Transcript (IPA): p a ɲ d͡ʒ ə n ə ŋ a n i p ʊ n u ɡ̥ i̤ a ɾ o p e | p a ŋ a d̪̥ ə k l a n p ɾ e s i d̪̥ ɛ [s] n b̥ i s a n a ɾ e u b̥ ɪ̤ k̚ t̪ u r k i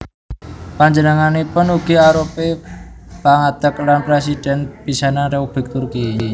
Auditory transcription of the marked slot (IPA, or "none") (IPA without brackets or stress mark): none